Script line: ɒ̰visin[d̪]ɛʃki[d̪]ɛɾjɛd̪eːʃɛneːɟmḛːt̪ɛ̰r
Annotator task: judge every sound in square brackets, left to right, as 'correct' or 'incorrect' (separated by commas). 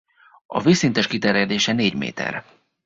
incorrect, incorrect